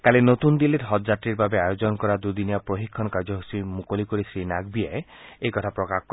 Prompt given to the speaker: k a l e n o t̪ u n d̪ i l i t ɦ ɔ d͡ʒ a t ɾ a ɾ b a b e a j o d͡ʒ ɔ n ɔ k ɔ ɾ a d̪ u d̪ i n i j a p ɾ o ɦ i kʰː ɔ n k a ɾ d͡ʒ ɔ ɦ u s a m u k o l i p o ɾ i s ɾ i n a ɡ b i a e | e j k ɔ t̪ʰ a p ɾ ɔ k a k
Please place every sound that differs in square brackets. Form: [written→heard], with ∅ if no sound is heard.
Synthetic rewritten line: k a l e n o t̪ u n d̪ i l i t ɦ ɔ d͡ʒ a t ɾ [a→i] ɾ b a b e a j o d͡ʒ ɔ n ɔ k ɔ ɾ a d̪ u d̪ i n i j a p ɾ o ɦ i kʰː ɔ n k a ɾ d͡ʒ ɔ ɦ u s [a→i] m u k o l i [p→k] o ɾ i s ɾ i n a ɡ b i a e | e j k ɔ t̪ʰ a p ɾ ɔ k a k

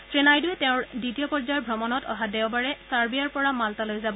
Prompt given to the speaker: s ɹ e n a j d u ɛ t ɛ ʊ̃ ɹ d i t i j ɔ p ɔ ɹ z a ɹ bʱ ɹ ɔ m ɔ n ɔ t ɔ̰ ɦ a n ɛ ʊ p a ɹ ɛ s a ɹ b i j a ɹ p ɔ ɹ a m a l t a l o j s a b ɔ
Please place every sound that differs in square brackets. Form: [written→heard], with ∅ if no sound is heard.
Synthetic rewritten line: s ɹ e n a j d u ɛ t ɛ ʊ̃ ɹ d i t i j ɔ p ɔ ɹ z a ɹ bʱ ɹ ɔ m ɔ n ɔ t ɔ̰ ɦ a [n→d] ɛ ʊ [p→b] a ɹ ɛ s a ɹ b i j a ɹ p ɔ ɹ a m a l t a l o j [s→z] a b ɔ

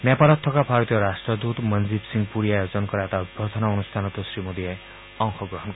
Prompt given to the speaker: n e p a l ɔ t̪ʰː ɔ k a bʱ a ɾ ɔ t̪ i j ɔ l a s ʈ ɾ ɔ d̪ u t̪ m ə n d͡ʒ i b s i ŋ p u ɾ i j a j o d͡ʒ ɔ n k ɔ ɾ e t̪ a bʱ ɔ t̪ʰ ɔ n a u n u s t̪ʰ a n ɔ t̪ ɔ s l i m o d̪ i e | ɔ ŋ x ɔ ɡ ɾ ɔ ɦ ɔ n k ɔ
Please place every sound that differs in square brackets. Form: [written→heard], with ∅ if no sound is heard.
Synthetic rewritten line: n e p a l ɔ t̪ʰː ɔ k a bʱ a ɾ ɔ t̪ i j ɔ [l→ɾ] a s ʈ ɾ ɔ d̪ u t̪ m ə n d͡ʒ i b s i ŋ p u ɾ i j a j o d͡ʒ ɔ n k ɔ ɾ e t̪ a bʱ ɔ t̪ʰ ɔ n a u n u s t̪ʰ a n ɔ t̪ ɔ s [l→ɾ] i m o d̪ i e | ɔ ŋ x ɔ ɡ ɾ ɔ ɦ ɔ n k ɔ

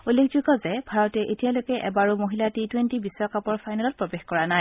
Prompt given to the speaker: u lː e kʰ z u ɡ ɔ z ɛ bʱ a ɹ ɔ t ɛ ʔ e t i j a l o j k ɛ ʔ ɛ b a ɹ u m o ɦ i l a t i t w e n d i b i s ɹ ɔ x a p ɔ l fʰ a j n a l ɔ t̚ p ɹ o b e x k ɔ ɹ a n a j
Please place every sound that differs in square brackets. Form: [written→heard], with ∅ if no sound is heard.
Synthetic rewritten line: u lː e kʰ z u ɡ ɔ z ɛ bʱ a ɹ ɔ t ɛ ʔ e t i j a l o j k ɛ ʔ ɛ b a ɹ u m o ɦ i l a t i t w e n [d→t] i b i s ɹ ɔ [x→k] a p ɔ [l→ɹ] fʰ a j n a l ɔ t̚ p ɹ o b e x k ɔ ɹ a n a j

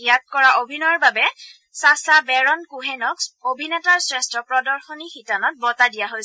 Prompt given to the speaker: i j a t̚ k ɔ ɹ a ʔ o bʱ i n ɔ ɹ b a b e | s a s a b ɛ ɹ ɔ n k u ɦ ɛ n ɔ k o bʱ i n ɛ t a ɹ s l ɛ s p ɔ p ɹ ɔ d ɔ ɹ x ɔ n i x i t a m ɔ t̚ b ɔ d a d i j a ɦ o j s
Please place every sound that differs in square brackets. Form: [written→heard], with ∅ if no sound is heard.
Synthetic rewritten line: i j a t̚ k ɔ ɹ a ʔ o bʱ i n ɔ ɹ b a b [e→ɛ] | s a s a b ɛ ɹ ɔ n k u ɦ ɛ n ɔ k o bʱ i n ɛ t a ɹ s [l→ɹ] ɛ s [p→t] ɔ p ɹ ɔ d ɔ ɹ x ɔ n i x i t a [m→n] ɔ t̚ b ɔ [d→t] a d i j a ɦ o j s

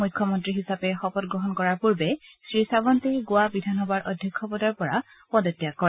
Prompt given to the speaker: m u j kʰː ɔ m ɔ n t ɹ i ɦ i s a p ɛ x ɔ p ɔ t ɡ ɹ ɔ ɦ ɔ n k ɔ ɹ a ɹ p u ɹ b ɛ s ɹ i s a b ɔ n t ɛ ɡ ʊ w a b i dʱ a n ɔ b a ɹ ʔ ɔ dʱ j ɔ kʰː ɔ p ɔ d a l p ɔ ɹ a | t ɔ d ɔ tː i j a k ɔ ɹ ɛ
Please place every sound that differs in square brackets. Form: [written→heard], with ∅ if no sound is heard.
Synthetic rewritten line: m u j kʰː ɔ m ɔ n t ɹ i ɦ i s a p ɛ x ɔ p ɔ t ɡ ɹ ɔ ɦ ɔ n k ɔ ɹ a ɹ p u ɹ b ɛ s ɹ i s a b ɔ n t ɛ ɡ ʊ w a b i dʱ a n ɔ b a ɹ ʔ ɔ dʱ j ɔ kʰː ɔ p ɔ d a [l→ɹ] p ɔ ɹ a | [t→p] ɔ d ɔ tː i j a k ɔ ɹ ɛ

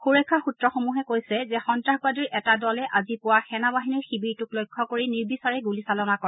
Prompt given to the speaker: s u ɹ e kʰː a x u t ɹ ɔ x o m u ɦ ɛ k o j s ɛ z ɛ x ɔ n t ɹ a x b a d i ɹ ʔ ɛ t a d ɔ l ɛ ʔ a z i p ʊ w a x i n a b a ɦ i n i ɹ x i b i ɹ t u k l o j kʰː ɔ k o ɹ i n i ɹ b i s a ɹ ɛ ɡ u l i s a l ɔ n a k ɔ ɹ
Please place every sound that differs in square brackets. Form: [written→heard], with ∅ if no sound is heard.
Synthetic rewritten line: [s→x] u ɹ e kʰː a x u t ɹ ɔ x o m u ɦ ɛ k o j s ɛ z ɛ x ɔ n t ɹ a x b a d i ɹ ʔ ɛ t a d ɔ l ɛ ʔ a z i p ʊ w a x [i→ɛ] n a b a ɦ i n i ɹ x i b i ɹ t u k l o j kʰː ɔ k o ɹ i n i ɹ b i s a ɹ ɛ ɡ u l i s a l ɔ n a k ɔ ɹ

